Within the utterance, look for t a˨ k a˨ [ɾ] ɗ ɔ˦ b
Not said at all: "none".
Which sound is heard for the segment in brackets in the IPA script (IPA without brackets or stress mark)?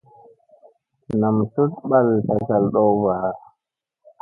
l